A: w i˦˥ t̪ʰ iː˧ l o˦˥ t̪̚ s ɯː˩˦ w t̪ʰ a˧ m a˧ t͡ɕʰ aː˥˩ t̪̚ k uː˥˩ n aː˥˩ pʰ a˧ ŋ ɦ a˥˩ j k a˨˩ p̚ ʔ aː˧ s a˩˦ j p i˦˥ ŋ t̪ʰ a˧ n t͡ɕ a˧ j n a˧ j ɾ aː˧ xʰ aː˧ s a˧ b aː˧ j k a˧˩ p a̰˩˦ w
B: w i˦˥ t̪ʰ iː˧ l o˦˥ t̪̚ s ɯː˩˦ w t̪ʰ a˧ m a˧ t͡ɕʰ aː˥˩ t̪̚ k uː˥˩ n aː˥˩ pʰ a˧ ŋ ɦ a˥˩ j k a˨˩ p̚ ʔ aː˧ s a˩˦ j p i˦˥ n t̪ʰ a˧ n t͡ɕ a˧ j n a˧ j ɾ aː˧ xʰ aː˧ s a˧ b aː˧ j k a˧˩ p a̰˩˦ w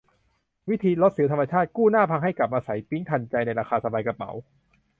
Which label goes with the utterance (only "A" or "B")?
A